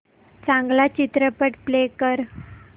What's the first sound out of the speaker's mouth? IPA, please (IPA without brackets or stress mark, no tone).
t͡s